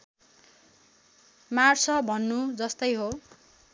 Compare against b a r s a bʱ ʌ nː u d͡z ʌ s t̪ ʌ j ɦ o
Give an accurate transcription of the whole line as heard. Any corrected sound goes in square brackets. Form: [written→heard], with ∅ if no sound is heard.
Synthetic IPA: [b→m] a r s [a→ʌ] bʱ ʌ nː u d͡z ʌ s t̪ ʌ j ɦ o